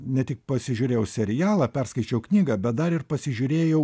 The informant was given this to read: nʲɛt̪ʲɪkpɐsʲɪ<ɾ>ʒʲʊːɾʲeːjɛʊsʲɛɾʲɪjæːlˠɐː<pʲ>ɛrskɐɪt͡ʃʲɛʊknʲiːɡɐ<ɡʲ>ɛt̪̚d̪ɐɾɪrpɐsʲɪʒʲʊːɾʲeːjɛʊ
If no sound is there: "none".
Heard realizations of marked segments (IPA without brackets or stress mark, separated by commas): none, pʲ, bʲ